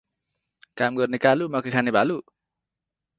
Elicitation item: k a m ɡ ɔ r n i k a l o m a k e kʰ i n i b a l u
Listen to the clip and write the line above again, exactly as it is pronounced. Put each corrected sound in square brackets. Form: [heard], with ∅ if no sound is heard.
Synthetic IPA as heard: k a m ɡ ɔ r n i k a l [u] m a k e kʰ [a] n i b a l u